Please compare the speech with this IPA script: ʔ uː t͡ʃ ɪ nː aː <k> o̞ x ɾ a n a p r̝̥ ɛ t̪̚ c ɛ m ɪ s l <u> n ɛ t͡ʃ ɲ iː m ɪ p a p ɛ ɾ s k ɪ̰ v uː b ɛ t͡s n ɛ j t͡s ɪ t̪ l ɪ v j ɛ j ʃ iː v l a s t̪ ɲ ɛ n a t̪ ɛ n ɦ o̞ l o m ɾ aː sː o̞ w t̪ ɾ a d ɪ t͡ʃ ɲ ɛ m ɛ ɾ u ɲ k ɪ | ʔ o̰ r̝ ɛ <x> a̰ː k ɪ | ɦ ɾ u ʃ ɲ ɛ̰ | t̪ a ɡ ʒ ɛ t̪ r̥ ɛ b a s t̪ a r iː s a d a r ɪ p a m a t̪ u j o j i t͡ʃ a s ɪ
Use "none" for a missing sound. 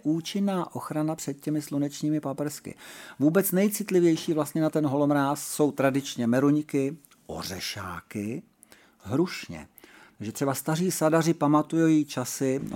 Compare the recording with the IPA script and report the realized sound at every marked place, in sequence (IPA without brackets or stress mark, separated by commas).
ʔ, u, ʃ